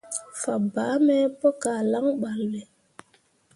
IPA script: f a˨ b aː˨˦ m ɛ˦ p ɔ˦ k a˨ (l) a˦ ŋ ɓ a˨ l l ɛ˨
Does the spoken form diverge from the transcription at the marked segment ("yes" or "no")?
no